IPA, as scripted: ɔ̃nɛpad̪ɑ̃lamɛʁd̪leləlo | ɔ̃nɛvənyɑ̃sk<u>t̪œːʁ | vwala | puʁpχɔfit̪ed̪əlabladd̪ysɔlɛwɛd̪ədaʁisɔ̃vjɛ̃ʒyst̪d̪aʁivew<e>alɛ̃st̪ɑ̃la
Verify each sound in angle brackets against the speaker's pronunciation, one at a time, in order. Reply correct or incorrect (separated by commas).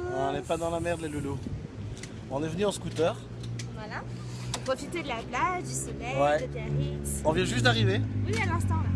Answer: correct, incorrect